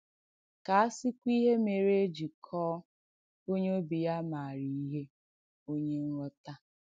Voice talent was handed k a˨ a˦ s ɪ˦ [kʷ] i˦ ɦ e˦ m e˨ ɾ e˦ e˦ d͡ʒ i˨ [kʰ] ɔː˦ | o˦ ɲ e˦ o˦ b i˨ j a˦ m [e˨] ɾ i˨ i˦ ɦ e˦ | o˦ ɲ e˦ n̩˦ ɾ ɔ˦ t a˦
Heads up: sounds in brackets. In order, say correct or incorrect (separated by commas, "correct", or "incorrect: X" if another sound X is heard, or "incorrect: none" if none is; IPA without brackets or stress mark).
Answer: correct, correct, incorrect: a˨